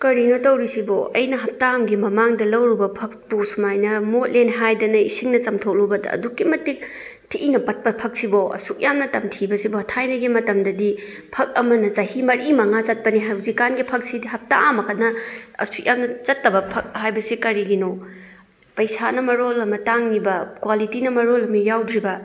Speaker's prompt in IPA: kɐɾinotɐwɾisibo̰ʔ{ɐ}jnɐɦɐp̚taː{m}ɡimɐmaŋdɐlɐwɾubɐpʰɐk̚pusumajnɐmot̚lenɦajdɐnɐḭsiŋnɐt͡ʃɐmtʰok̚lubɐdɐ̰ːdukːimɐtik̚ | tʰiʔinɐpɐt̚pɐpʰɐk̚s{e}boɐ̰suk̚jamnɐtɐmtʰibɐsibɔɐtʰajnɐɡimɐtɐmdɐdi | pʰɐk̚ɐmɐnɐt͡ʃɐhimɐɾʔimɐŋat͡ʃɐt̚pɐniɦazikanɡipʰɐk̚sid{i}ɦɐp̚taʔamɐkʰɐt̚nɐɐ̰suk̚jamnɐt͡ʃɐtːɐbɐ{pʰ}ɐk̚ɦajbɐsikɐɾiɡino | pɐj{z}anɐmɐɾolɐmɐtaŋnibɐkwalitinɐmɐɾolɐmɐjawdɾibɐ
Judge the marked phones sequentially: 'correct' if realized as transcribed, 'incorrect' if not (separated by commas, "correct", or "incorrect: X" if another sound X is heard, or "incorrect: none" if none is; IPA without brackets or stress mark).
correct, correct, incorrect: i, correct, correct, incorrect: s